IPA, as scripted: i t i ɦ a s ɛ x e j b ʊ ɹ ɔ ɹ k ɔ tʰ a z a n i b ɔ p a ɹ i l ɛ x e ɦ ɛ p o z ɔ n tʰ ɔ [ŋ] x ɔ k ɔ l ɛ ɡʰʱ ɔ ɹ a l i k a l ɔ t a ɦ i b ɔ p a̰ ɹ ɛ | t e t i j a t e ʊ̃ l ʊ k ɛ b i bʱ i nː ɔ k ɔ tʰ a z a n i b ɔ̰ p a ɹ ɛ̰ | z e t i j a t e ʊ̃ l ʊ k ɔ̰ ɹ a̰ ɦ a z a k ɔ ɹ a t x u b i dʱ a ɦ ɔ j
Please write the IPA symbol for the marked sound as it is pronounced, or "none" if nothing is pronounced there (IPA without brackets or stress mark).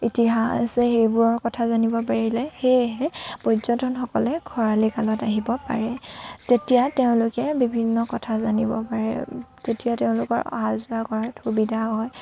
n